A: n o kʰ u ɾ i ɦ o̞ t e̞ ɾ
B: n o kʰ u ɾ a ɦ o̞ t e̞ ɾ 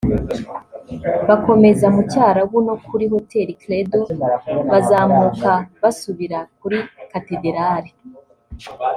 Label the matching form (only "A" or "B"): A